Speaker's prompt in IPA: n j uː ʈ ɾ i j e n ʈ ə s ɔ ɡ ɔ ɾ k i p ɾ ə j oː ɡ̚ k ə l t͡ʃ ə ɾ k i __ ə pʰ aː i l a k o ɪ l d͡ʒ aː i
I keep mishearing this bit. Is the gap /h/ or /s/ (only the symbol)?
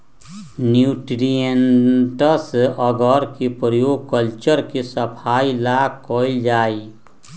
s